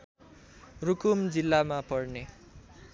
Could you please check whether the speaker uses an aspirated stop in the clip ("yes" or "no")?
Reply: no